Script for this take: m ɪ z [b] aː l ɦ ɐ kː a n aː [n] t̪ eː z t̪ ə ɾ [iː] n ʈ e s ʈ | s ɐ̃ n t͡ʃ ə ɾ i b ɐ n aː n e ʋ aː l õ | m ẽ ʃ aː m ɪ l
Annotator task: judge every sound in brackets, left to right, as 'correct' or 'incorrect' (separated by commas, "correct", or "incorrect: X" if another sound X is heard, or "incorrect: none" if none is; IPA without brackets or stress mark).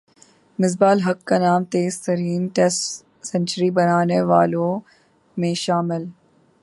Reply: correct, incorrect: m, correct